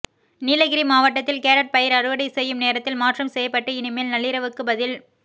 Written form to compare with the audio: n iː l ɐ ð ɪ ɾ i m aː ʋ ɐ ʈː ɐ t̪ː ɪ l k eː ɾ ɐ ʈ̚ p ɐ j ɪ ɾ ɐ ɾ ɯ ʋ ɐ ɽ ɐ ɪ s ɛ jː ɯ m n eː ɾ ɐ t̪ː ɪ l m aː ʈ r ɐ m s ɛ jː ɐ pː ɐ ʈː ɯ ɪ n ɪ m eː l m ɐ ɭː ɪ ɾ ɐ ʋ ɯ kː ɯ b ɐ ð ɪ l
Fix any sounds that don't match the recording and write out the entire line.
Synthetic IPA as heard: n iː l ɐ ɣ ɪ ɾ i m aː ʋ ɐ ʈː ɐ t̪ː ɪ l k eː ɾ ɐ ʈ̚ p ɐ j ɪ ɾ ɐ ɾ ɯ ʋ ɐ ɽ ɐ ɪ s ɛ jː ɯ m n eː ɾ ɐ t̪ː ɪ l m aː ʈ r ɐ m s ɛ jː ɐ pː ɐ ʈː ɯ ɪ n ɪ m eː l n ɐ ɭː ɪ ɾ ɐ ʋ ɯ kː ɯ b ɐ ð ɪ l